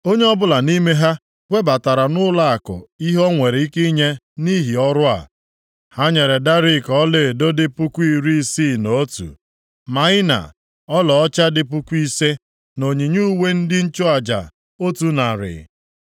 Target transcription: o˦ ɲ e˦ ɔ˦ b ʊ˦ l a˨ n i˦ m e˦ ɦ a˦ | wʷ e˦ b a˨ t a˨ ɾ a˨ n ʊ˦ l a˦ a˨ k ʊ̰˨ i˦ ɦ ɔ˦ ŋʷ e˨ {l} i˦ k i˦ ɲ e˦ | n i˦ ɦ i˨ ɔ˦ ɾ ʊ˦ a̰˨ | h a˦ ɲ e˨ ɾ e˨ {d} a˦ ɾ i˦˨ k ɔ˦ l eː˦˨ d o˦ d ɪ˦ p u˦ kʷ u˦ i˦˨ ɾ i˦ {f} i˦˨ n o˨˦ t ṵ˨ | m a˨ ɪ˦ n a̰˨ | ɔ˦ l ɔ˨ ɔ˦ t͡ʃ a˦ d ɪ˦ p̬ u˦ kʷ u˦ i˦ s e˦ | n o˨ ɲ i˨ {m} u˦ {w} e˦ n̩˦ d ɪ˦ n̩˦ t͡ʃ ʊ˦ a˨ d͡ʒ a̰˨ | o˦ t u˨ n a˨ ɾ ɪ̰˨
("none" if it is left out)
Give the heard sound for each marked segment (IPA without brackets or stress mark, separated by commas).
ɾ, d, s, ɲ, w